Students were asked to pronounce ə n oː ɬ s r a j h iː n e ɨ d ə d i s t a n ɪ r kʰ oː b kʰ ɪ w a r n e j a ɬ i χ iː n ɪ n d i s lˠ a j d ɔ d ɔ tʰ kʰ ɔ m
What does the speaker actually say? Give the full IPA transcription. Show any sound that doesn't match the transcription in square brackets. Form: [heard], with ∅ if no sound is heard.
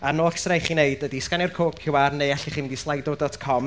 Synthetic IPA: [a] n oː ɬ s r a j [χ] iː n e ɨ d ə d i s [k] a n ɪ r kʰ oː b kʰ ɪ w a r n e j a ɬ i χ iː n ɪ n d i s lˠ a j d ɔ d ɔ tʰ kʰ ɔ m